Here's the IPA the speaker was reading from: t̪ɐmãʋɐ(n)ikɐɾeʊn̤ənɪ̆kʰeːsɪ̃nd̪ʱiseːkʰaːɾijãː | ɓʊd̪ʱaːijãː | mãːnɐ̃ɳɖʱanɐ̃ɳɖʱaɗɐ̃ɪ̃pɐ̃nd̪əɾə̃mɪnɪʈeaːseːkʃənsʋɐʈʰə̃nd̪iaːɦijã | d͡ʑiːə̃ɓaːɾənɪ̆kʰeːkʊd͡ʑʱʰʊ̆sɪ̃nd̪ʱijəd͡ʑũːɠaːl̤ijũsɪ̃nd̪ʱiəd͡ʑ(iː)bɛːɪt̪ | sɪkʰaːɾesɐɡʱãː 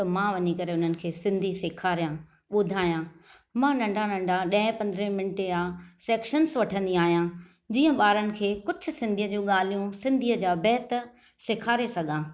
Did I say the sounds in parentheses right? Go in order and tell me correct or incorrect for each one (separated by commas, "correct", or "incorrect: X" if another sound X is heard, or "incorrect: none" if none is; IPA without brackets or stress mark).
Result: incorrect: ɲ, incorrect: aː